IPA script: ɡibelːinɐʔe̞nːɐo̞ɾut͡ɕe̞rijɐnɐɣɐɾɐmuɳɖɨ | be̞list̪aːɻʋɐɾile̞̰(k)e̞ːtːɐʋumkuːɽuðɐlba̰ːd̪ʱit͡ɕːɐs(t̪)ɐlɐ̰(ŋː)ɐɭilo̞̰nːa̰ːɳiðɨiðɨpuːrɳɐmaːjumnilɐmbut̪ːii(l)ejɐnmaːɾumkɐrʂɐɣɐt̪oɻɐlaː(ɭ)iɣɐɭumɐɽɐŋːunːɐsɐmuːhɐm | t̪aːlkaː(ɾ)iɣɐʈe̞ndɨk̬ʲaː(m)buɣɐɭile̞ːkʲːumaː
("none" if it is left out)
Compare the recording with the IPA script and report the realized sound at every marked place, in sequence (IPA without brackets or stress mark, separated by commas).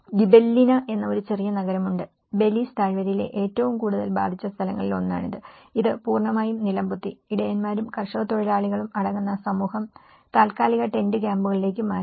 ʔ, t̪ʰ, ŋː, ɽ, ɭ, l, m